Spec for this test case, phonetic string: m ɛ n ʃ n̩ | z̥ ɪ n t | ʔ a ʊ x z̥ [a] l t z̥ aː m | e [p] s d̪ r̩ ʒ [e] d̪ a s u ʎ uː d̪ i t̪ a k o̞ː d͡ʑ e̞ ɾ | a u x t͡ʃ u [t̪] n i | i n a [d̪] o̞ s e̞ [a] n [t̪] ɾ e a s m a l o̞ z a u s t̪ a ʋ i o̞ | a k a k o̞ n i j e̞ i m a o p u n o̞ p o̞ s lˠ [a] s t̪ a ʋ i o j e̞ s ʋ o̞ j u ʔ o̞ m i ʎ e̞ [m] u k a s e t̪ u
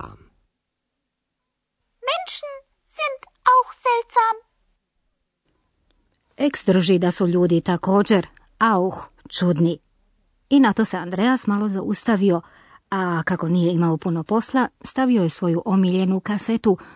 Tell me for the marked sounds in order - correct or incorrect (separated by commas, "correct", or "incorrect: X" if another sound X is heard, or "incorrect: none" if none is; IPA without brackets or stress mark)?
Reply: incorrect: ɛ, incorrect: k, incorrect: i, incorrect: d̪, incorrect: t̪, correct, incorrect: d̪, correct, incorrect: n